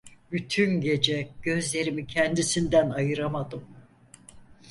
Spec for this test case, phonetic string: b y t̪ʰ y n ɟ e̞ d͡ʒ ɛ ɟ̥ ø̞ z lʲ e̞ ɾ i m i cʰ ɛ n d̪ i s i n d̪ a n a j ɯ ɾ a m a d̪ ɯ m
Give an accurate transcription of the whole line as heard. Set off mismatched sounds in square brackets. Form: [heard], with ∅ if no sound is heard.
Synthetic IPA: b y t̪ʰ y n ɟ e̞ d͡ʒ ɛ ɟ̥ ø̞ z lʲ e̞ ɾ i m i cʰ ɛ n d̪ i s i n d̪ [æ] n a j ɯ ɾ a m a d̪ ɯ m